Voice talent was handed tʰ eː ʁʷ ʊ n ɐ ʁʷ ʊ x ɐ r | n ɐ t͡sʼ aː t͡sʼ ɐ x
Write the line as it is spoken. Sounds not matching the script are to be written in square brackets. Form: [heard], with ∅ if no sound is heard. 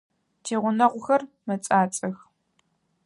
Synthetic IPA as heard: tʰ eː ʁʷ ʊ n ɐ ʁʷ ʊ x ɐ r | [m] ɐ t͡sʼ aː t͡sʼ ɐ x